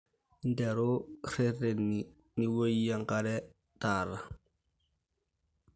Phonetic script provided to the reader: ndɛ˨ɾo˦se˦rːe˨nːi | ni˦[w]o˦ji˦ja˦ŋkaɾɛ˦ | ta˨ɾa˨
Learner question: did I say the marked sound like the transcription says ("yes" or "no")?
yes